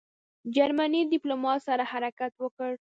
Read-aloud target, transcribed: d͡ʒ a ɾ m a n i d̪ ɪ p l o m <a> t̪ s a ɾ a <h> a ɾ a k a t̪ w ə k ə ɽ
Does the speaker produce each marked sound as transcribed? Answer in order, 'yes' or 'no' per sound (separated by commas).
no, yes